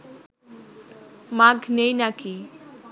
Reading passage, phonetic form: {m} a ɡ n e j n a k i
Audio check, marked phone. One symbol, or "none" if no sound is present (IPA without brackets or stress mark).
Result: m